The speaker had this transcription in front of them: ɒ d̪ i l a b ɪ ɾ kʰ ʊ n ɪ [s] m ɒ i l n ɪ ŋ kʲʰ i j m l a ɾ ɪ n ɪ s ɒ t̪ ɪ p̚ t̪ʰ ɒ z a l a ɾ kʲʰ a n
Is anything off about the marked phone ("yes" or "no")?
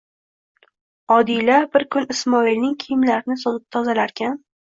no